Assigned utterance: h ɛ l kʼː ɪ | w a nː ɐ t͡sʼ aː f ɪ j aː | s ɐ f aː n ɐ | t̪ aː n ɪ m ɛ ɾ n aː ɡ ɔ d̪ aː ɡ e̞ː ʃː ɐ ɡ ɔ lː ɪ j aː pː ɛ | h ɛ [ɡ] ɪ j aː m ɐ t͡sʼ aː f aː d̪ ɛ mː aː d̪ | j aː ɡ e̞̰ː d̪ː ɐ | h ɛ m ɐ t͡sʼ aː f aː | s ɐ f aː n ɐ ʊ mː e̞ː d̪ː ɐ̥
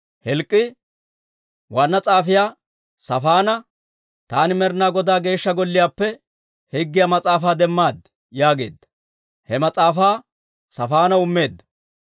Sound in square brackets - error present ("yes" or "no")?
yes